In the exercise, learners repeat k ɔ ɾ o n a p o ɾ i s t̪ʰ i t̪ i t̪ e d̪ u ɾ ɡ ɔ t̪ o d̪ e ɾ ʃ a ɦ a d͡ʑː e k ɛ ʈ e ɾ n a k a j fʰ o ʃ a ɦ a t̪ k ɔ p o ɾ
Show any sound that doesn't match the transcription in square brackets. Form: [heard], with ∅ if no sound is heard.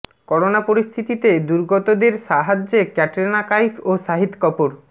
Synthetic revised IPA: k ɔ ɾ o n a p o ɾ i s t̪ʰ i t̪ i t̪ e d̪ u ɾ ɡ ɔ t̪ o d̪ e ɾ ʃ a ɦ a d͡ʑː e k ɛ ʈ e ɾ n a k a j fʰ o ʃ a ɦ [i] t̪ k ɔ p o ɾ